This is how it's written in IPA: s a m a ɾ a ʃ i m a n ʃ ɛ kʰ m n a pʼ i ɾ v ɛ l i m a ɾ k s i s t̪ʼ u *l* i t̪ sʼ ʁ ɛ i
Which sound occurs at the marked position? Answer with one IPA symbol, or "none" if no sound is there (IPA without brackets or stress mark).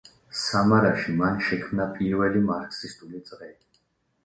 l